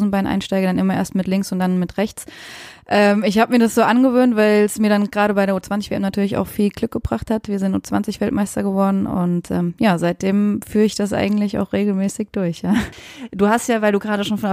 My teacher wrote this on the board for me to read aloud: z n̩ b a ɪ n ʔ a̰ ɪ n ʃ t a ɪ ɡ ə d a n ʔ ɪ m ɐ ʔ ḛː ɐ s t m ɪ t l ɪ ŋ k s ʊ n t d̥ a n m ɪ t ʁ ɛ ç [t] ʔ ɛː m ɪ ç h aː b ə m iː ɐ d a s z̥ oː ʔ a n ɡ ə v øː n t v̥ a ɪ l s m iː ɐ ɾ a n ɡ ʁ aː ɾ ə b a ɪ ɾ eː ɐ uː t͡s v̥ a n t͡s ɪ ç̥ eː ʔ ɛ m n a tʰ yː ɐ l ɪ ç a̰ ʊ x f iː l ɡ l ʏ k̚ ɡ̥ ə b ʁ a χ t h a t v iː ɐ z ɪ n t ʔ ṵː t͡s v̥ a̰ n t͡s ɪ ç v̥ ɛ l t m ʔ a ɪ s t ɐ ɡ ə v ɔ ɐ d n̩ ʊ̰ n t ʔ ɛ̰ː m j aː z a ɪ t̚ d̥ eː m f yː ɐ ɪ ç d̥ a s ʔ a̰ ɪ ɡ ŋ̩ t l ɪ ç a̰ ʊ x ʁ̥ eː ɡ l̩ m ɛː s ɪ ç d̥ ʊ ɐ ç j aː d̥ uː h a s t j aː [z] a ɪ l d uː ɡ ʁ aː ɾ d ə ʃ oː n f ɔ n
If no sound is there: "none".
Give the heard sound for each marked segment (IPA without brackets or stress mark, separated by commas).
t͡s, v